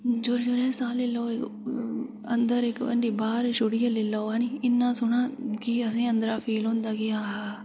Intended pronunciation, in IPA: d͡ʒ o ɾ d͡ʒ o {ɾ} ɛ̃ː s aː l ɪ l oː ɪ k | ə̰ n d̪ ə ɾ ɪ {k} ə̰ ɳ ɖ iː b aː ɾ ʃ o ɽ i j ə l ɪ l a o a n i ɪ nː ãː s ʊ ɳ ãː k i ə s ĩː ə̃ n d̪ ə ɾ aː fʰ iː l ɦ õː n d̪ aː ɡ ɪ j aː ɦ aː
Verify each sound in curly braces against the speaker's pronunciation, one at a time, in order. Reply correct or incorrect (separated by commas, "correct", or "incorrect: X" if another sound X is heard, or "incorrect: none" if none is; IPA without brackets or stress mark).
correct, correct